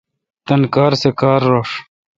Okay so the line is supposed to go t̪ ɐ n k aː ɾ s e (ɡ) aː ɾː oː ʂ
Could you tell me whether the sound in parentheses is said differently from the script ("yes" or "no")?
yes